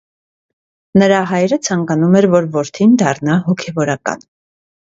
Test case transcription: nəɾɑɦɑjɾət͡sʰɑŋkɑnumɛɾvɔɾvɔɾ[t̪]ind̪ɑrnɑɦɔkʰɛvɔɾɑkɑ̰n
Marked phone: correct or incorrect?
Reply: incorrect